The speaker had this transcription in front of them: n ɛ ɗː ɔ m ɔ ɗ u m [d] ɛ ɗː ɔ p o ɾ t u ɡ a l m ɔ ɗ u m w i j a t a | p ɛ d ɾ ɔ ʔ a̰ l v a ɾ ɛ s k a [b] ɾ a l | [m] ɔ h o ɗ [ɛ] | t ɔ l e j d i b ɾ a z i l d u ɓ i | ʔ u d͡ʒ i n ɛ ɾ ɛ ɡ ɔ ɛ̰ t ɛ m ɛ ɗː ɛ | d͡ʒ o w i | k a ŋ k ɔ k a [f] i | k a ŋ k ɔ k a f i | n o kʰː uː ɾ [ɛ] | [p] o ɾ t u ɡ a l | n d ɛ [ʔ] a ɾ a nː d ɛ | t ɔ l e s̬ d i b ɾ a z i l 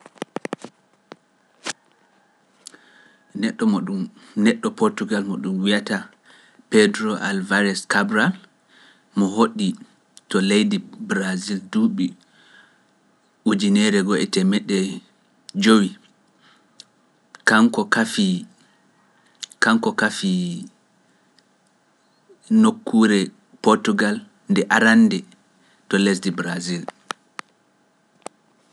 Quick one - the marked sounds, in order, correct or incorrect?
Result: incorrect: n, correct, correct, incorrect: i, correct, correct, correct, correct

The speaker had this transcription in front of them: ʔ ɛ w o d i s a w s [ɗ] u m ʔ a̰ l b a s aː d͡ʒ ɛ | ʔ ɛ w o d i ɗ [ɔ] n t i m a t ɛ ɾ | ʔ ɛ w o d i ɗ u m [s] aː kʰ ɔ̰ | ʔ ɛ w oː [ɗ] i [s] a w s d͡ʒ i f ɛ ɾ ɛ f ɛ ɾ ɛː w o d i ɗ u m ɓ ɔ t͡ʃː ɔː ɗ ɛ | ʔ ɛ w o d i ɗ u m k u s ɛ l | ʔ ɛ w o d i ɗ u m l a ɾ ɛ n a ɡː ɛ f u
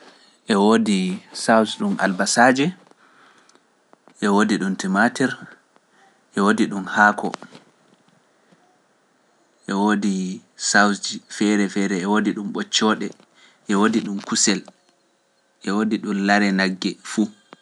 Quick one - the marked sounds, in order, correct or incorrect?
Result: correct, incorrect: u, incorrect: h, incorrect: d, correct

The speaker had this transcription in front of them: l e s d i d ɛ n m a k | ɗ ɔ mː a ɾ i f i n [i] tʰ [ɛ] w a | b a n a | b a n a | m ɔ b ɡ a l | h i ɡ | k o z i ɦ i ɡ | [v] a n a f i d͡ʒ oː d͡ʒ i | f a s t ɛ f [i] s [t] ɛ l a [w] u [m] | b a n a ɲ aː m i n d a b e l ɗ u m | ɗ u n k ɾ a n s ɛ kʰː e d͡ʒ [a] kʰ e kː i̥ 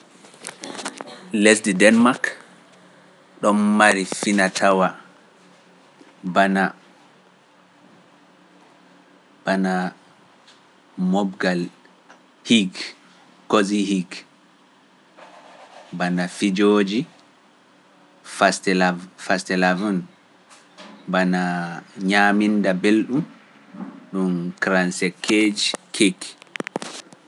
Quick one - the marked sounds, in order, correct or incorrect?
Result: incorrect: a, incorrect: a, incorrect: b, incorrect: a, correct, incorrect: v, incorrect: n, incorrect: i

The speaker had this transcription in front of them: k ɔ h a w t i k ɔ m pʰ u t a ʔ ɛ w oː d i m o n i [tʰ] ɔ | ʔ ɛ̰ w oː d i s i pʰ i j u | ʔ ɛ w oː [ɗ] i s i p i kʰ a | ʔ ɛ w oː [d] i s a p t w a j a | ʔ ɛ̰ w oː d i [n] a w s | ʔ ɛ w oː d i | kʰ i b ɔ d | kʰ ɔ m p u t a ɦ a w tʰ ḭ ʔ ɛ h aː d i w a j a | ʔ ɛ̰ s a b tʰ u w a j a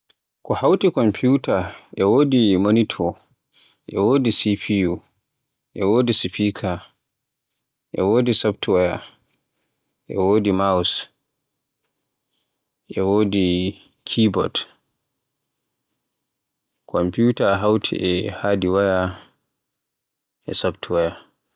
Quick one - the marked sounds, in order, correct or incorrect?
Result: correct, incorrect: d, correct, incorrect: m

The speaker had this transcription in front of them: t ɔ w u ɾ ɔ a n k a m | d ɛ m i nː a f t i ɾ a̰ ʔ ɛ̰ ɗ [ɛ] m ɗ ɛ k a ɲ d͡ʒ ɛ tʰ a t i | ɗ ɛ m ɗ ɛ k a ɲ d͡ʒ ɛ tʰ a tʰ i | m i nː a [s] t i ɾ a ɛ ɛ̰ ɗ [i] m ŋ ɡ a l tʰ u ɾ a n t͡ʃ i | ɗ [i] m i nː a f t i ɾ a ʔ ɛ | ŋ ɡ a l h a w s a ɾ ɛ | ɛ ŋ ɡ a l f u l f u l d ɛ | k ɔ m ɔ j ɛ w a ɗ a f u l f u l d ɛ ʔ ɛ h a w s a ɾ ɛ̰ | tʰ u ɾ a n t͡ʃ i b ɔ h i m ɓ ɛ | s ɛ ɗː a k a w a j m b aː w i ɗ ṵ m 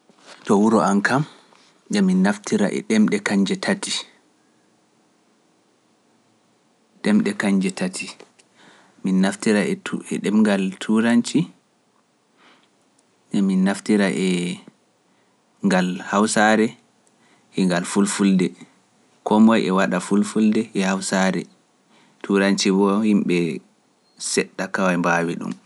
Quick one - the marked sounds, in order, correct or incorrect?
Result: correct, incorrect: f, incorrect: ɛ, incorrect: ɛ

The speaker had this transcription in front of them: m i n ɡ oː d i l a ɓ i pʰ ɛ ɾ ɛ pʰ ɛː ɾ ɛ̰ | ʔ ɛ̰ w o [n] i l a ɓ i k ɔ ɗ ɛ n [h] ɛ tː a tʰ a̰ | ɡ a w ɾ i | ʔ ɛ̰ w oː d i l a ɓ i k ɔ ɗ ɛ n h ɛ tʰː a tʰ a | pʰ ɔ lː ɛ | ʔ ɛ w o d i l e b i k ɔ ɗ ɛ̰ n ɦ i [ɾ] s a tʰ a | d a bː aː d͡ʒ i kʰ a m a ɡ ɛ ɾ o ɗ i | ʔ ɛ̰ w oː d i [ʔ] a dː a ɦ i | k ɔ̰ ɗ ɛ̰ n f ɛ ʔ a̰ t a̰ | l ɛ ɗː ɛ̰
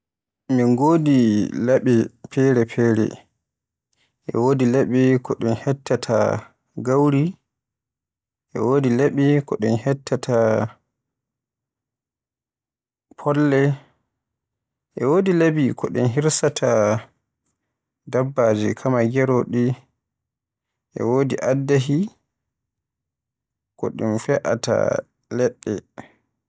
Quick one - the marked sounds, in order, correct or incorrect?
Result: incorrect: d, correct, correct, correct

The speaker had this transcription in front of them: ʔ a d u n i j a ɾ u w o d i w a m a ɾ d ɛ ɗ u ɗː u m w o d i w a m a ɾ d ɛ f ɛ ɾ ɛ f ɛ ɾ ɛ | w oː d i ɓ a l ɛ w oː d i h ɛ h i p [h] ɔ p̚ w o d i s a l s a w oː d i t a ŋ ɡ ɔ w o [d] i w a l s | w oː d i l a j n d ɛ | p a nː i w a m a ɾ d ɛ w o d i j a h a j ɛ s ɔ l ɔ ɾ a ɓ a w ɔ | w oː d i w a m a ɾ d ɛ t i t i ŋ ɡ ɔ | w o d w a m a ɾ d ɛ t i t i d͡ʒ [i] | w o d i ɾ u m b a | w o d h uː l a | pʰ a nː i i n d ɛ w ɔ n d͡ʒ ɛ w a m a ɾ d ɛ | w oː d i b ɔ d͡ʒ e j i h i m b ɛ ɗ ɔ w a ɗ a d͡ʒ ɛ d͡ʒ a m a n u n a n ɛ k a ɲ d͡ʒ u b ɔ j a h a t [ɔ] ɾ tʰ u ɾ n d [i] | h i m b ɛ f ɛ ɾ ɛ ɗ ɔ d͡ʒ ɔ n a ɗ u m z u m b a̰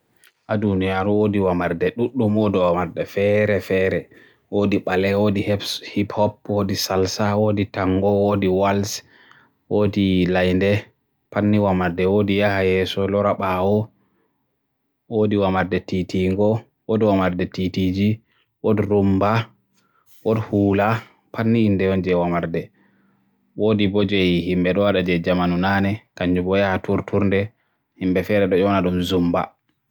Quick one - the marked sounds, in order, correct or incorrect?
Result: correct, correct, correct, incorrect: u, incorrect: ɛ

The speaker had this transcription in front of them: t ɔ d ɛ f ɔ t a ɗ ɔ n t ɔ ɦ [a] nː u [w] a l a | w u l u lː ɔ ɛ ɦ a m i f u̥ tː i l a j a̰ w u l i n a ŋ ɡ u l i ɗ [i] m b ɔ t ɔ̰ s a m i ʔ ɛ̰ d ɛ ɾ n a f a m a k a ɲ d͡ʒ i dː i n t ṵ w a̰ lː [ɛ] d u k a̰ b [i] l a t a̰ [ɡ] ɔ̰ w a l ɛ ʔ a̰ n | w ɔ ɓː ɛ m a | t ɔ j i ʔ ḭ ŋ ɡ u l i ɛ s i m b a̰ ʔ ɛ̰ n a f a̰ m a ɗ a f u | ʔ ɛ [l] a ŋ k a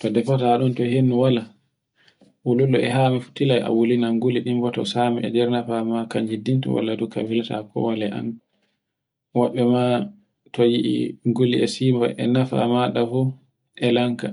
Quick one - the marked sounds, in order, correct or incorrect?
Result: incorrect: e, correct, correct, incorrect: a, correct, incorrect: k, correct

